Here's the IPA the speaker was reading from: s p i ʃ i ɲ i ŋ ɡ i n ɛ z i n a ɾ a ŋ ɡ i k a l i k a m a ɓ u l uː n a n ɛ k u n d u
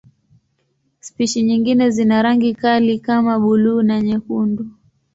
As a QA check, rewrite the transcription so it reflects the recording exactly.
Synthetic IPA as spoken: s p i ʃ i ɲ i ŋ ɡ i n ɛ z i n a ɾ a ŋ ɡ i k a l i k a m a ɓ u l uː n a ɲ ɛ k u n d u